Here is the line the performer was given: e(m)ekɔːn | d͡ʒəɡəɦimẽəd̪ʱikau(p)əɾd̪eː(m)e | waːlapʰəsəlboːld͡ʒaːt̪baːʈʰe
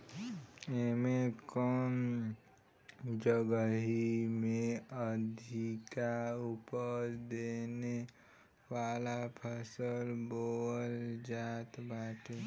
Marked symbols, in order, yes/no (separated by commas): yes, yes, no